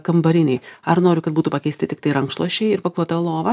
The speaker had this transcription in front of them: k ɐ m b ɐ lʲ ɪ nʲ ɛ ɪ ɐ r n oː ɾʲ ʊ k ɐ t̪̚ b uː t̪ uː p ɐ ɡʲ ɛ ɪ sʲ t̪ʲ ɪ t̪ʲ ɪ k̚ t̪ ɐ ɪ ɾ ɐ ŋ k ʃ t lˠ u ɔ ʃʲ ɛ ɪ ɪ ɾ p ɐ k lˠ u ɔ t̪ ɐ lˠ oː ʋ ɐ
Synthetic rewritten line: k ɐ m b ɐ ɾʲ ɪ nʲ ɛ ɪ ɐ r n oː ɾʲ ʊ k ɐ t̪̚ b uː t̪ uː p ɐ kʲ ɛ ɪ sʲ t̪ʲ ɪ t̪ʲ ɪ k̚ t̪ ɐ ɪ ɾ ɐ ŋ k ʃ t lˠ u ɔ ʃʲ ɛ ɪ ɪ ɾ p ɐ k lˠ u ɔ t̪ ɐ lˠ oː ʋ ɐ